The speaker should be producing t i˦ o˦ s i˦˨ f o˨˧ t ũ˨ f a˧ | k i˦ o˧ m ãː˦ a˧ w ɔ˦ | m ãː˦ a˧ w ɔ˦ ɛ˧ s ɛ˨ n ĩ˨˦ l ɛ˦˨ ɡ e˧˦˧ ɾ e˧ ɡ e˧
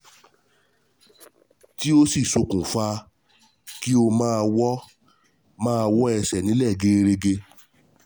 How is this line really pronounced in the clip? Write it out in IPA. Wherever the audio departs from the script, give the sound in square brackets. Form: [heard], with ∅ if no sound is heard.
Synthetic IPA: t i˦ o˦ s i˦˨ [s] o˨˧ [k] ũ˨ f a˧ | k i˦ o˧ m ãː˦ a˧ w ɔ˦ | m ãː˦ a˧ w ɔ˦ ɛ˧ s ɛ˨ n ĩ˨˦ l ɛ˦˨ ɡ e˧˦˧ ɾ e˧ ɡ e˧